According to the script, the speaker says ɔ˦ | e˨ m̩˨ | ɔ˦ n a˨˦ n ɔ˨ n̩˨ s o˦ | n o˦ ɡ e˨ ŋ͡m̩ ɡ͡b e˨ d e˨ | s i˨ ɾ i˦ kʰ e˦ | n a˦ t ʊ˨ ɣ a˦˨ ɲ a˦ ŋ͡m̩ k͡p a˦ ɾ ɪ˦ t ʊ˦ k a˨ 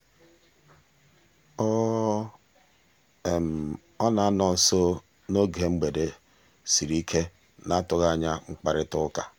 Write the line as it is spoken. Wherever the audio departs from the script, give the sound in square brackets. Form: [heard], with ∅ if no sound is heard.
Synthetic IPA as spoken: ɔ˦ | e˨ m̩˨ | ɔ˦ n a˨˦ n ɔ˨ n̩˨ s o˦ | n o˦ ɡ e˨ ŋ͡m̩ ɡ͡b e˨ d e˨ | s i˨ ɾ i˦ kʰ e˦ | n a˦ t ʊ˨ ɣ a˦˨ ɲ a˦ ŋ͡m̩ k͡p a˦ ɾ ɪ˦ t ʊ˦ k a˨